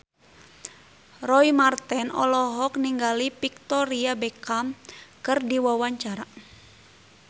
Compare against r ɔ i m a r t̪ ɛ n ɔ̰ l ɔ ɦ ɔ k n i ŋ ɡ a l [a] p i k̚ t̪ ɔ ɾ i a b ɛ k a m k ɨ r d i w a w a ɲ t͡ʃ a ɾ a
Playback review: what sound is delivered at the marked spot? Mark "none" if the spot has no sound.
i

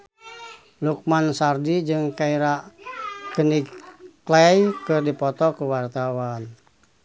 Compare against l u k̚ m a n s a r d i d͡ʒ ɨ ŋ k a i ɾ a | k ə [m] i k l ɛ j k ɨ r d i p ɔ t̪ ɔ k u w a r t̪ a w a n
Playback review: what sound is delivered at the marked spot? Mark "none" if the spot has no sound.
n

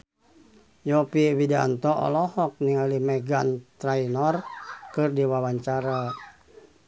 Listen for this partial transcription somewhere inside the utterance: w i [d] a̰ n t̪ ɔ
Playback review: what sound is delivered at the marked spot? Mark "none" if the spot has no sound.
d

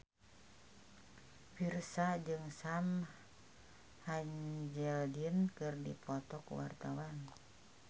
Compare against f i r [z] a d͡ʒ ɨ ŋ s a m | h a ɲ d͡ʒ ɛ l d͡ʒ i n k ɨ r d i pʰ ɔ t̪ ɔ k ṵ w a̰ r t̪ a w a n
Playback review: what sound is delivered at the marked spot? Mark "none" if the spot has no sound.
s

